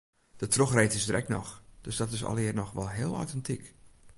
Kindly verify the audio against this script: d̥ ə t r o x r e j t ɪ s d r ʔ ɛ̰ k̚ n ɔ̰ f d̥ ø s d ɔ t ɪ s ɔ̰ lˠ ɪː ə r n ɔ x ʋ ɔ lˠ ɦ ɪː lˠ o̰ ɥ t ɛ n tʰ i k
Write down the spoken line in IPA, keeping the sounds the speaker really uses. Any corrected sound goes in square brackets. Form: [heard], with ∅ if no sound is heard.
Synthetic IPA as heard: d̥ ə t r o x r e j t ɪ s d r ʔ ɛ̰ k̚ n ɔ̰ [x] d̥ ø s d ɔ t ɪ s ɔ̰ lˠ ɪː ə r n ɔ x ʋ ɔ lˠ ɦ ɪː lˠ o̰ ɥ t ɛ n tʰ i k